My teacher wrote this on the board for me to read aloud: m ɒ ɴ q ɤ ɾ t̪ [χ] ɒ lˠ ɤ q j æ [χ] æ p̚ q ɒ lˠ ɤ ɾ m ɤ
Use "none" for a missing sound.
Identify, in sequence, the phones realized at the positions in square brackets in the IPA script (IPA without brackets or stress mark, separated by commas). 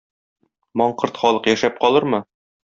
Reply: χ, ʃ